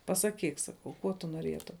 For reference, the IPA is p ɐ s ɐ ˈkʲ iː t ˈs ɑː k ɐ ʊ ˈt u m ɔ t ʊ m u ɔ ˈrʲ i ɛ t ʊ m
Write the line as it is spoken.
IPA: p ɐ s ɐ ˈkʲ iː k ˈs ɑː k ɐ ʊ ˈk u ɔ t ʊ n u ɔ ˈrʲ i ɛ t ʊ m